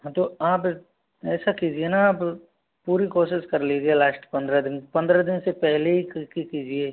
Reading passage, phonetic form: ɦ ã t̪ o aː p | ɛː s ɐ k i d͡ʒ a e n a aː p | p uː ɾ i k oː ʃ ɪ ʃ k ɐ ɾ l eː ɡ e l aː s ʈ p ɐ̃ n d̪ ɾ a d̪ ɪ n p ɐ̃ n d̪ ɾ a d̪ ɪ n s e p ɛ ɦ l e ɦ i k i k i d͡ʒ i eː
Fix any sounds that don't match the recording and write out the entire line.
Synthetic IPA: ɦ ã t̪ o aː p | ɛː s a k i d͡ʒ i e n a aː p | p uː ɾ i k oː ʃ ɪ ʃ k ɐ ɾ l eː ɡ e l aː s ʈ p ɐ̃ n d̪ ɾ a d̪ ɪ n p ɐ̃ n d̪ ɾ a d̪ ɪ n s e p ɛ ɦ l e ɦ i k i k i d͡ʒ i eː